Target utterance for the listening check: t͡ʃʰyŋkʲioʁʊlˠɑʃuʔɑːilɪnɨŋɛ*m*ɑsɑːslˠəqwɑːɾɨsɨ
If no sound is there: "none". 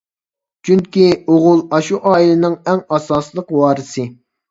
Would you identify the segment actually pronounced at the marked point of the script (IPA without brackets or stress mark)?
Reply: ŋ